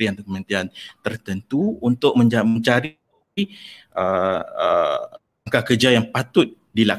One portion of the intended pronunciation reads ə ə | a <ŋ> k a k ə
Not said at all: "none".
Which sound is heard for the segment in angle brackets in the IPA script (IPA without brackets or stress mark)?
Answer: ŋ